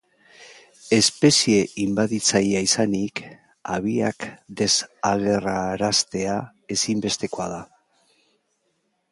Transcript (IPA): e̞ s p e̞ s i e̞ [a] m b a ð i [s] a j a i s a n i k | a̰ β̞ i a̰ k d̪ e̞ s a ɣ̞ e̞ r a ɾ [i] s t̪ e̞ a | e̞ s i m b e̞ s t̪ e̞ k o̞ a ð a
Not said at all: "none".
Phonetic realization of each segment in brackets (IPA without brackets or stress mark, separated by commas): i, t͡s, a